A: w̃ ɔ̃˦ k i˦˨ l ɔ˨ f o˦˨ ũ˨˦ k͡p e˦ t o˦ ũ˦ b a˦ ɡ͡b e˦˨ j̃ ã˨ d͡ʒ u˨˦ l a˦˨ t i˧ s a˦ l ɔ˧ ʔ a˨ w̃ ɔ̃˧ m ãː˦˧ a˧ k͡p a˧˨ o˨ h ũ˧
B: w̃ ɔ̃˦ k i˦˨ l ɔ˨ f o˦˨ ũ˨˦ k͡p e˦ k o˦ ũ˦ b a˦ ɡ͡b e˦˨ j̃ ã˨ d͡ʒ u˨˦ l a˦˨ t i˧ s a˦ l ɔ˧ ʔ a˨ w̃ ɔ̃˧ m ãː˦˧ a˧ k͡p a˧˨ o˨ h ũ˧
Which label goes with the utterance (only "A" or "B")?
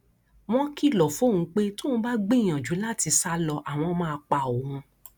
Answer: A